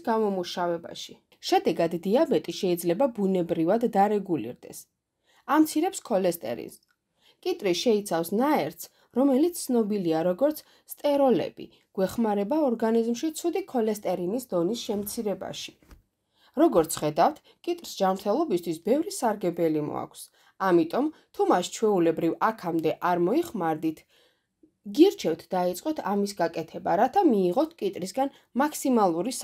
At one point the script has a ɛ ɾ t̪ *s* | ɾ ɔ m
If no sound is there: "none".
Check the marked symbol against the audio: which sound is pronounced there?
s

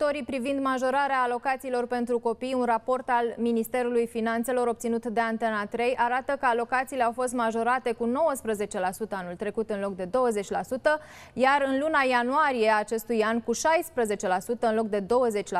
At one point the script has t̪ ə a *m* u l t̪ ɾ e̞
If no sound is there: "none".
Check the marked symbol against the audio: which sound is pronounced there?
n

